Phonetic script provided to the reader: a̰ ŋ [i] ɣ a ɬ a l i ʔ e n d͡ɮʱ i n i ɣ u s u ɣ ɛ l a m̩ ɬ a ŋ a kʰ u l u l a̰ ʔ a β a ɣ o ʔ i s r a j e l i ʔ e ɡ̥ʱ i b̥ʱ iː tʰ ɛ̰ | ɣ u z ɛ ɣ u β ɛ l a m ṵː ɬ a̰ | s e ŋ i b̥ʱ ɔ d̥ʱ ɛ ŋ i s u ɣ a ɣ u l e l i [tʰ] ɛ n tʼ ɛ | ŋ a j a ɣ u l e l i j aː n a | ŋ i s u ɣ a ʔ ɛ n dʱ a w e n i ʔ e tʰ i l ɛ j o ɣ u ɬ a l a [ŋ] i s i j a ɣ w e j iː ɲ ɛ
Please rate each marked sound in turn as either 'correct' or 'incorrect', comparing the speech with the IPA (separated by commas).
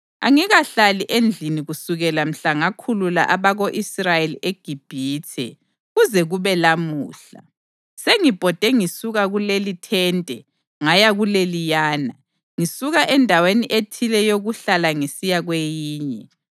correct, correct, correct